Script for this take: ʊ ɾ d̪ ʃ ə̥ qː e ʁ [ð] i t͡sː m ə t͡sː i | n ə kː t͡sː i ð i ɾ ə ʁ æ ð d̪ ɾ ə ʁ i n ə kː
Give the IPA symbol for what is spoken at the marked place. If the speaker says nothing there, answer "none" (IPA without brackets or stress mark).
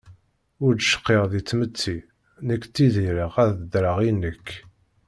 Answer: ð